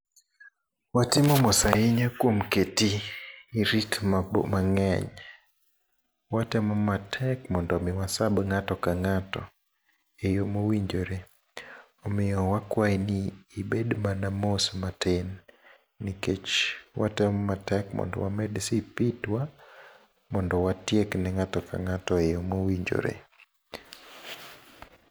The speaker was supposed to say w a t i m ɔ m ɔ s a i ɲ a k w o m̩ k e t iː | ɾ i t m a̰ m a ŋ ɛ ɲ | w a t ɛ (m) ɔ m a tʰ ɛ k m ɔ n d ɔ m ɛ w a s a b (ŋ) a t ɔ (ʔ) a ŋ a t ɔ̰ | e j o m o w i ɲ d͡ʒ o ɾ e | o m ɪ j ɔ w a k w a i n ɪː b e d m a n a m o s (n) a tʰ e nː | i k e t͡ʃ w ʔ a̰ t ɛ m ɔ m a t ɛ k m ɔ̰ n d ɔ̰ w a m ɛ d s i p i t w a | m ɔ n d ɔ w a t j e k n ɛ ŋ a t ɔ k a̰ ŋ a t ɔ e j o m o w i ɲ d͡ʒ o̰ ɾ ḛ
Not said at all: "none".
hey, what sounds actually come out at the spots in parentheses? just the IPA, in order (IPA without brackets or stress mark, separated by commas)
m, ŋ, k, m